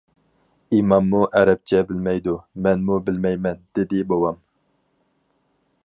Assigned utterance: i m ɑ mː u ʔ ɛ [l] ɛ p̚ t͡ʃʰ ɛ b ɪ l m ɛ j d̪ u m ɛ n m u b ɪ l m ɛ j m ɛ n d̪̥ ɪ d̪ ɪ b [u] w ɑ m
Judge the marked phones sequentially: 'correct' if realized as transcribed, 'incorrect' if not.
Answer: incorrect: ɾ, incorrect: o

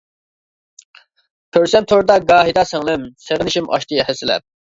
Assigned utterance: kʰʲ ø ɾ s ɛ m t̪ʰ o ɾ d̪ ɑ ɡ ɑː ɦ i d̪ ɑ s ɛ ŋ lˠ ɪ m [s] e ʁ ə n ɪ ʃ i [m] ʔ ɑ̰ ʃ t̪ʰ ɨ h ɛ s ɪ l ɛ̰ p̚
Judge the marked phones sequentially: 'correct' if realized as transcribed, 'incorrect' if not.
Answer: correct, correct

